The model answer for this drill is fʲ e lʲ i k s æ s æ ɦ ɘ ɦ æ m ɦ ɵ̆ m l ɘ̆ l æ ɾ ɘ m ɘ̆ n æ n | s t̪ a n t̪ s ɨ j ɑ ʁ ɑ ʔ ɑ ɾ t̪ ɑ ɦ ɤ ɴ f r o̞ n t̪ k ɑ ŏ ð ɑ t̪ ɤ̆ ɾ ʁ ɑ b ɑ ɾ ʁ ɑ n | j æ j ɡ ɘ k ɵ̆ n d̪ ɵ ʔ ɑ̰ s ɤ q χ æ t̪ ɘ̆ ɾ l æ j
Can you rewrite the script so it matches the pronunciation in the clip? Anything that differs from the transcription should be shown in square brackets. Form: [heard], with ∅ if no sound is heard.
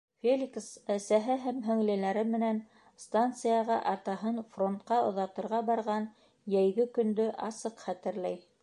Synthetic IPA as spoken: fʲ e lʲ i k s æ s æ ɦ ɘ ɦ æ m ɦ ɵ̆ [ŋ] l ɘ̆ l æ ɾ ɘ m ɘ̆ n æ n | s t̪ a n t̪ s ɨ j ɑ ʁ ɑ ʔ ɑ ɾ t̪ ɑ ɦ ɤ [n] f r o̞ n t̪ [q] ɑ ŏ ð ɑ t̪ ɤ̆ ɾ ʁ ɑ b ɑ ɾ ʁ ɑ n | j æ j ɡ ɘ k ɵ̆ n d̪ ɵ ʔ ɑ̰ s ɤ q χ æ t̪ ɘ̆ ɾ l æ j